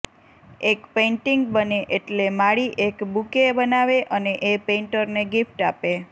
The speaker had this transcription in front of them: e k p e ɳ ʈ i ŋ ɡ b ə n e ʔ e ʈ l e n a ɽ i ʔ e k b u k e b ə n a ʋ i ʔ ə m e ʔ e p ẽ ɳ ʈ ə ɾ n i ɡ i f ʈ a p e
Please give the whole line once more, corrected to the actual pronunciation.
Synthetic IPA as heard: e k p e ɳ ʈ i ŋ ɡ b ə n e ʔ e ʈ l e m a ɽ i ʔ e k b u k e b ə n a ʋ e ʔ ə n e ʔ e p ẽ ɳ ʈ ə ɾ n e ɡ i f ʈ a p e